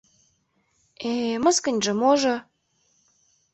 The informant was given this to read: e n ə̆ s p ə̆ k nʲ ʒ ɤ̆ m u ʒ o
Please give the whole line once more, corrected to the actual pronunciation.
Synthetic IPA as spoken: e m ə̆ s k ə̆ nʲ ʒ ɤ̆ m o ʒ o